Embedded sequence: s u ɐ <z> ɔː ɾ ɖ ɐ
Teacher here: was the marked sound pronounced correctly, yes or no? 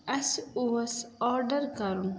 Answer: no